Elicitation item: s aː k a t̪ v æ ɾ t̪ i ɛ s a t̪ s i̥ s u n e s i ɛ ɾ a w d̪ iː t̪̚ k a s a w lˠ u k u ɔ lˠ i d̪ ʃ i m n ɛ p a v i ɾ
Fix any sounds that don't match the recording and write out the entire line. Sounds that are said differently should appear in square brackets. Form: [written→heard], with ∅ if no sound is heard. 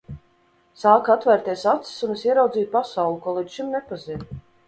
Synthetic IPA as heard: s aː k a t̪ v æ ɾ t̪ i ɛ s a t̪ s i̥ s u n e s i ɛ ɾ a w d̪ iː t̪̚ [k→p] a s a w lˠ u k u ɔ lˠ i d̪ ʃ i m n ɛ p a [v→z] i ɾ